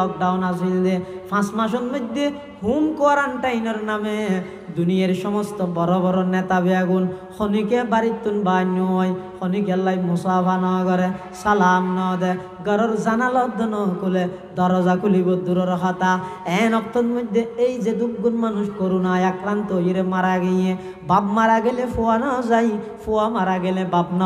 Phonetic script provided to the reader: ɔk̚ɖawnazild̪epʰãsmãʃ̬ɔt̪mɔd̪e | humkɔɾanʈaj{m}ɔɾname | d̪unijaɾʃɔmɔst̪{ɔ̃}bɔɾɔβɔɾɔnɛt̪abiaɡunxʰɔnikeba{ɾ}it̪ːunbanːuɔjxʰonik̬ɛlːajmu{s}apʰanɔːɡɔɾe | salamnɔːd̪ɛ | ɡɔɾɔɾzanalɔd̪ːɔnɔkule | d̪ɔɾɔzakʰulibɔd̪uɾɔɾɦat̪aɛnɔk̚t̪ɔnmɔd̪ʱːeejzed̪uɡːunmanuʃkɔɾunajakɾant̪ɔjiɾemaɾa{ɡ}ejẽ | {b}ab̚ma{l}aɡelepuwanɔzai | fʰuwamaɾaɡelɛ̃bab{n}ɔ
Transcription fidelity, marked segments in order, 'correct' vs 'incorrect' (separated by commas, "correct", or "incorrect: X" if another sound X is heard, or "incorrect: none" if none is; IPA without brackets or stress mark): incorrect: n, incorrect: ɔ, correct, correct, correct, correct, incorrect: ɾ, correct